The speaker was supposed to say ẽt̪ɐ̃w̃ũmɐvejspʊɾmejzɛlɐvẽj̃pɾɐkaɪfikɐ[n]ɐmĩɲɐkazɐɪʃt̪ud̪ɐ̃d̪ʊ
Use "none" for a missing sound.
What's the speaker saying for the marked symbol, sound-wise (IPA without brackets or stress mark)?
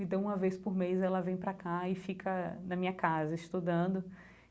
n